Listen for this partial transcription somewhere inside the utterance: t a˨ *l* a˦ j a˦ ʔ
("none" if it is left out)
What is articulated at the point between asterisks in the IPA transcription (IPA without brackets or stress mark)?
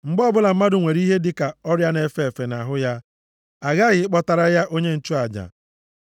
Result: ɾ